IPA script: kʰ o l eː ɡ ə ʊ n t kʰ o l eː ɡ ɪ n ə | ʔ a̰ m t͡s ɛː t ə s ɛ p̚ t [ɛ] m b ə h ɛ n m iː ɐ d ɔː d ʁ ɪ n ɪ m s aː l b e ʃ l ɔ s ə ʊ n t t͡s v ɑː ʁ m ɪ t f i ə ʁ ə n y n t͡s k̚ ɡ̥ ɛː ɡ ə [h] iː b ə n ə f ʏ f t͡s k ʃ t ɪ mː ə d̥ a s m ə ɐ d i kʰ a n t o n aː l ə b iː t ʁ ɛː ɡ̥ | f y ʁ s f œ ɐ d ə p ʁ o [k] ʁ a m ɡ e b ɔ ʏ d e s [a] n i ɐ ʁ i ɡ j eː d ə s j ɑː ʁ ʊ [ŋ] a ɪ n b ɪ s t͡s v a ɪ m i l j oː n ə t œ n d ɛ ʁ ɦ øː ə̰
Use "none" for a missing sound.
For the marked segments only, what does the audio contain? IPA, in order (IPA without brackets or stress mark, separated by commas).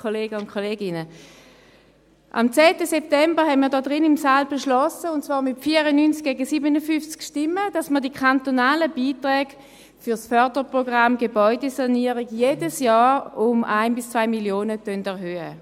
ɛ, s, ɡ, a, m